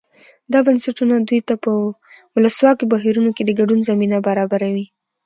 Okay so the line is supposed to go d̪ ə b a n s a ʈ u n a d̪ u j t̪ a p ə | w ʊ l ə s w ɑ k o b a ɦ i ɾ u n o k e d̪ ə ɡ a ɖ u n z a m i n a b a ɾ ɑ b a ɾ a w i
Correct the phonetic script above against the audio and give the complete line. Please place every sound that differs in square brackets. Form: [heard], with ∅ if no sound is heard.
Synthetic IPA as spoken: d̪ [ɑ] b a n s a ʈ u n a d̪ u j t̪ a p ə | w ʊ l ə s w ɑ k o b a ɦ i ɾ u n o k e d̪ ə ɡ a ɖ u n z a m i n a b a ɾ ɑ b a ɾ a w i